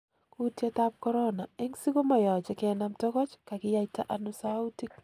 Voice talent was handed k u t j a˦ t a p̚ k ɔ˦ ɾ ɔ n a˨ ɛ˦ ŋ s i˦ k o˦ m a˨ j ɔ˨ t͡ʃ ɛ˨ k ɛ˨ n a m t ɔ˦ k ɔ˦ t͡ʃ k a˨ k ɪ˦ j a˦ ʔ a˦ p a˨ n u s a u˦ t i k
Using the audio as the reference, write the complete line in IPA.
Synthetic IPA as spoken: k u t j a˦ t a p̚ k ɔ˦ ɾ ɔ n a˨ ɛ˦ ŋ s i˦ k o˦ m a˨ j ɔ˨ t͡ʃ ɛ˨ k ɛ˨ n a m t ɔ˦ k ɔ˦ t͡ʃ k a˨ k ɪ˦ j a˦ t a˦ ʔ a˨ n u s a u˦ t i k